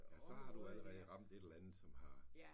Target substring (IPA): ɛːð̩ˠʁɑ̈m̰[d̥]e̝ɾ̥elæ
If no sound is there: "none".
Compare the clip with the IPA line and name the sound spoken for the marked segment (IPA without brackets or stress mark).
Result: d̥